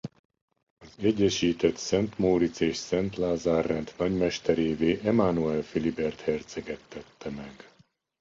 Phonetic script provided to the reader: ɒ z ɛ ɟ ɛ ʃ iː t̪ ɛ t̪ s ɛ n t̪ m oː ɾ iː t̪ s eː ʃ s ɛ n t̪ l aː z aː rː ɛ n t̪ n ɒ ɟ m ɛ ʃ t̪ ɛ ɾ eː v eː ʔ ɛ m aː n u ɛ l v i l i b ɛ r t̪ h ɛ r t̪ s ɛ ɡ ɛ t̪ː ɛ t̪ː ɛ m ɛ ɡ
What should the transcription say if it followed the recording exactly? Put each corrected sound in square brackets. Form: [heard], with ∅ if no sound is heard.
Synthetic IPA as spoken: ɒ z ɛ [ɟː] ɛ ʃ iː t̪ ɛ t̪ s ɛ n t̪ m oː ɾ [i] t̪ s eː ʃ s ɛ n t̪ l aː z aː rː ɛ n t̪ n ɒ ɟ m ɛ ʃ t̪ ɛ ɾ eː v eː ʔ ɛ m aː n u ɛ l [f] i l i b ɛ r t̪ h ɛ r t̪ s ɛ ɡ ɛ t̪ː ɛ t̪ː ɛ m ɛ ɡ